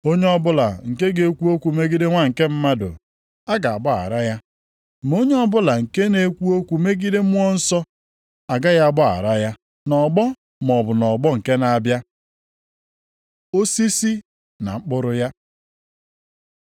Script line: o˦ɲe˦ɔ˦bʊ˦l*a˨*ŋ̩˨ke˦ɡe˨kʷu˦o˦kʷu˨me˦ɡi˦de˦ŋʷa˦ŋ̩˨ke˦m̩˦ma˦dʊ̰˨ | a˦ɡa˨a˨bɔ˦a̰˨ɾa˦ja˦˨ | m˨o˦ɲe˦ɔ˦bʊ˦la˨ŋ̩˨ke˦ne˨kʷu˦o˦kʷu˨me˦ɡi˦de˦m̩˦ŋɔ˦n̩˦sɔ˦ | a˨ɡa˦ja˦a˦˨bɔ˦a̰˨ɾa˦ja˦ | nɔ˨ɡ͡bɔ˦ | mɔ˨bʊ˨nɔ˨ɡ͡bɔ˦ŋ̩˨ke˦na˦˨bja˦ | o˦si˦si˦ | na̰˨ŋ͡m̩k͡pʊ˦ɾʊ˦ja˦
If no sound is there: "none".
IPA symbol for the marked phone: a˨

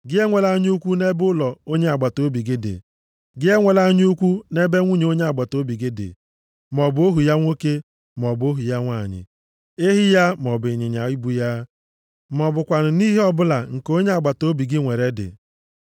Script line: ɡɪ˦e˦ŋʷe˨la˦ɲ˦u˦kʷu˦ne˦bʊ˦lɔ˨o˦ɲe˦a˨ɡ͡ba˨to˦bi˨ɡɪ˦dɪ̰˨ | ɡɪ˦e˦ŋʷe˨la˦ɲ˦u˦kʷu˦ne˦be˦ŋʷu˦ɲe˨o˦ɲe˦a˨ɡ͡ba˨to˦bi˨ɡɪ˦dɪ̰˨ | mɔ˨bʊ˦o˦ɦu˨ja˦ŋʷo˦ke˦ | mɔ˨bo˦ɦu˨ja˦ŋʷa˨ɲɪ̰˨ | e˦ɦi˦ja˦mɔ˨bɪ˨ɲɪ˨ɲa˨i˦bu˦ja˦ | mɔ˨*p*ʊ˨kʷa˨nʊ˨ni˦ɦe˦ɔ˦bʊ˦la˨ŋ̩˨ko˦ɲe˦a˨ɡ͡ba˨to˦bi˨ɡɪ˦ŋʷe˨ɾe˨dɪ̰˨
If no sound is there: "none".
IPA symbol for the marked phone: b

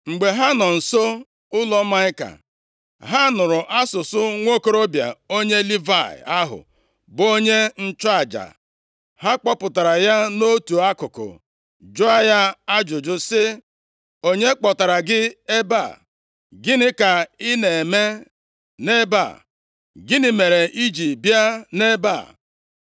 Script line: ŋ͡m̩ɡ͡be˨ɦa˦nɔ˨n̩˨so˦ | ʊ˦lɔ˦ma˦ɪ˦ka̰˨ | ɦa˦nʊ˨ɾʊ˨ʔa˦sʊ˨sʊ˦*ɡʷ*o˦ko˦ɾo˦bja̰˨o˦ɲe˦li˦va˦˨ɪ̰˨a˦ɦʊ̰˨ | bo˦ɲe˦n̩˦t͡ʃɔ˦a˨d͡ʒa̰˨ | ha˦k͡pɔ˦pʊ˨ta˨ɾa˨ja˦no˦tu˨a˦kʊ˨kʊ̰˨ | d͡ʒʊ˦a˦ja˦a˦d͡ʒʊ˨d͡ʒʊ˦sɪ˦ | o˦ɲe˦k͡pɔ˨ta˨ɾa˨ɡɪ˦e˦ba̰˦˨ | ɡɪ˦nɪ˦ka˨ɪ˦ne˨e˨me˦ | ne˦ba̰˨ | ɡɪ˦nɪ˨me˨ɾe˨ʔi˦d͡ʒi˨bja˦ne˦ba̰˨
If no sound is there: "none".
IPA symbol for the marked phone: ŋʷ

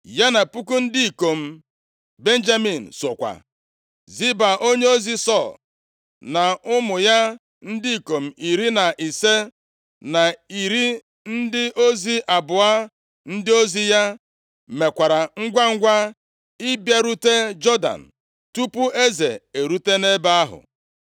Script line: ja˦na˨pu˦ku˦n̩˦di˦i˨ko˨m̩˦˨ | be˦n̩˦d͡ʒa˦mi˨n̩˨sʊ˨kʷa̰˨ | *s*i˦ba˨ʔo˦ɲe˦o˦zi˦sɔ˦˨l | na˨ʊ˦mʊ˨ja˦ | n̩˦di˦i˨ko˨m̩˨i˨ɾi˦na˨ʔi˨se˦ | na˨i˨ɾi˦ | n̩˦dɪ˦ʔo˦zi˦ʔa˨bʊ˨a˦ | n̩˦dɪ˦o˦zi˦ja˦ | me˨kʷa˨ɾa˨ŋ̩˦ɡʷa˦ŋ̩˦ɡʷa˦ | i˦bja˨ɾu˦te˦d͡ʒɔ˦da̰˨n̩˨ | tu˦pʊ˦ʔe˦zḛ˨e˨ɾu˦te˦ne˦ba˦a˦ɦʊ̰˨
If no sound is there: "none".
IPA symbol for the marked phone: z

